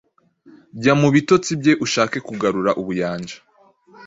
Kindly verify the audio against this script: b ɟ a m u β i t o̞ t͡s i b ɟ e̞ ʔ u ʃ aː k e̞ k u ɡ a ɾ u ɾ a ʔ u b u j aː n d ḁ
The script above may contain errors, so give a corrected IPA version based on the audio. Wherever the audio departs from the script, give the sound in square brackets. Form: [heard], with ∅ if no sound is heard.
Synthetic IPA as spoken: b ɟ a m u β i t o̞ t͡s i b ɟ e̞ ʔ u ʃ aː k e̞ k u ɡ a ɾ u ɾ a ʔ u [β] u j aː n [d͡ʒ] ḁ